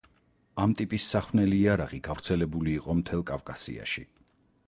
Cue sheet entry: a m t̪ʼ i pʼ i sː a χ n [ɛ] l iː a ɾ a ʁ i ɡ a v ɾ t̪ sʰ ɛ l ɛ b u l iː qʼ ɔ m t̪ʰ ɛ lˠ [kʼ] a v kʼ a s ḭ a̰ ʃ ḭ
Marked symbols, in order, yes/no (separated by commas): yes, yes